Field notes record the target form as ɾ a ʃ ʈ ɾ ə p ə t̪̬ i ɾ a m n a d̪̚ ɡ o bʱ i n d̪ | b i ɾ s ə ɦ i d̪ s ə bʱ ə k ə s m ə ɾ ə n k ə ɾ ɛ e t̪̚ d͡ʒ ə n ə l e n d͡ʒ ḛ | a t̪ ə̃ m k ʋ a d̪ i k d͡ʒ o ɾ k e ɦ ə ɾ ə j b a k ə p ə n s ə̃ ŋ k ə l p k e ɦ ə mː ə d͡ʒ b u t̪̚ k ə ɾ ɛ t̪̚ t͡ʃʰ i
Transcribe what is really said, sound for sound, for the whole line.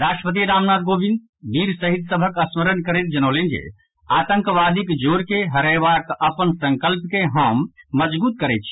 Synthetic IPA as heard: ɾ a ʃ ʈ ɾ ə p ə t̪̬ i ɾ a m n a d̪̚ ɡ o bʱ i n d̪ | b i ɾ s ə ɦ i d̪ s ə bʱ ə k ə s m ə ɾ ə n k ə ɾ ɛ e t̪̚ d͡ʒ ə n ə l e n d͡ʒ ḛ | a t̪ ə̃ ŋ k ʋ a d̪ i k d͡ʒ o ɾ k e ɦ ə ɾ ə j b a k ə p ə n s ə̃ ŋ k ə l p k e ɦ ə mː ə d͡ʒ b u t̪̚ k ə ɾ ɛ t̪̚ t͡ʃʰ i